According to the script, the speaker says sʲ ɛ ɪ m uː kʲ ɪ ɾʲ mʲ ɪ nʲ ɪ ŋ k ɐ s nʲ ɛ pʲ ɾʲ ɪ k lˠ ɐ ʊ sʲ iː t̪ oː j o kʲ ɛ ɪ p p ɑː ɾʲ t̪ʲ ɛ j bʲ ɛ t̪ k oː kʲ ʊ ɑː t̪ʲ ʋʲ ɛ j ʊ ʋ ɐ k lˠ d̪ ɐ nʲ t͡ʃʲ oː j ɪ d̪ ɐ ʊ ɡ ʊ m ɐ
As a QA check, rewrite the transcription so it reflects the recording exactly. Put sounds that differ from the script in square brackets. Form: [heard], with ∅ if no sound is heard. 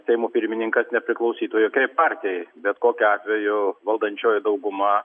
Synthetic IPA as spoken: sʲ ɛ ɪ m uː [pʲ] ɪ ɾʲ mʲ ɪ nʲ ɪ ŋ k ɐ s nʲ ɛ pʲ ɾʲ ɪ k lˠ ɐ ʊ sʲ iː t̪ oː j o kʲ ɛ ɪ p p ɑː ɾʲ t̪ʲ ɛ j bʲ ɛ t̪ k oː kʲ ʊ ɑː t̪ʲ ʋʲ ɛ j ʊ ʋ ɐ [∅] lˠ d̪ ɐ nʲ t͡ʃʲ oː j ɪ d̪ ɐ ʊ ɡ ʊ m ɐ